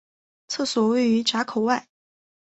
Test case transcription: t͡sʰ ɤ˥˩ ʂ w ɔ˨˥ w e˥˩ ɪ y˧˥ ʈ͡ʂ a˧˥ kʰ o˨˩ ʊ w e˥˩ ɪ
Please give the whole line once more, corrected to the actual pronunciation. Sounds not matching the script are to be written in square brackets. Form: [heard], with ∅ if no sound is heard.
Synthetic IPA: t͡sʰ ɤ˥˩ [s] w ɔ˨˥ w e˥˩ ɪ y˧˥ ʈ͡ʂ a˧˥ kʰ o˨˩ ʊ w [a˥˩] ɪ